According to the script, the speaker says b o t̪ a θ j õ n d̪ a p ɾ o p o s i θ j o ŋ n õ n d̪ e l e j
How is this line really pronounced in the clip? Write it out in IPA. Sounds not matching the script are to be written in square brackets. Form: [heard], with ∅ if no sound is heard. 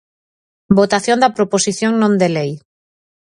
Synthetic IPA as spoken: b o t̪ a θ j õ n d̪ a p ɾ o p o s i θ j o ŋ n õ n d̪ e l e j